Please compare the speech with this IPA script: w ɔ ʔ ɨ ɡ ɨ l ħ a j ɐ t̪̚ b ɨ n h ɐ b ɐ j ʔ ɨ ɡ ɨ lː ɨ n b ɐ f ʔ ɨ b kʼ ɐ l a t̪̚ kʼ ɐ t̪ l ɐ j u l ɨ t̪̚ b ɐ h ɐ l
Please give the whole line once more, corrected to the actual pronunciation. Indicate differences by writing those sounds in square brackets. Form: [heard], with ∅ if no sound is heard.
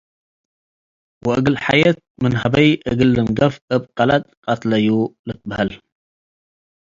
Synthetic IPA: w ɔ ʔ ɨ ɡ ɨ l ħ a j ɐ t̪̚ [m] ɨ n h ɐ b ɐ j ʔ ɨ ɡ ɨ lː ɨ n [ɡ] ɐ f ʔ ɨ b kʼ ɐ l a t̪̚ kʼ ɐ t̪ l ɐ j u l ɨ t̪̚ b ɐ h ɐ l